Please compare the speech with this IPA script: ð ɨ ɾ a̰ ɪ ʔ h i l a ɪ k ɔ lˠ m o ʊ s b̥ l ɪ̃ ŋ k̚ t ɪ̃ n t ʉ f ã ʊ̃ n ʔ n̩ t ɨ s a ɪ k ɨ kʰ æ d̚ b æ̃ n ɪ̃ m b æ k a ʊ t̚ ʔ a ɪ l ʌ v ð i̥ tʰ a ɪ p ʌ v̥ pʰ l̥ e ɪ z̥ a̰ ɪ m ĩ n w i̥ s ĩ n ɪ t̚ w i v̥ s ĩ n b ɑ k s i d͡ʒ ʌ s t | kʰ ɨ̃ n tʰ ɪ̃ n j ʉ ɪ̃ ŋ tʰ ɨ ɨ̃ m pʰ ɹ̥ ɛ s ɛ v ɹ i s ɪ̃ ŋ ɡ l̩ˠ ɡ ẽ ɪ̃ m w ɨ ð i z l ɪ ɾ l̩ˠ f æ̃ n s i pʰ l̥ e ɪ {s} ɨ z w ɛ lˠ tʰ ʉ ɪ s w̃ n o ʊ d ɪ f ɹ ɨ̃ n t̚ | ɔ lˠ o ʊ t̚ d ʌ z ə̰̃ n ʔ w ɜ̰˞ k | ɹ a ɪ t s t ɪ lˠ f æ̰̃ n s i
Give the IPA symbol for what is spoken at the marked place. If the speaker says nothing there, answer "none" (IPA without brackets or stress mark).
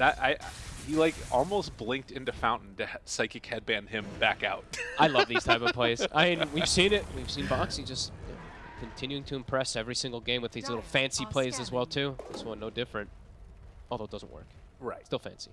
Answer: z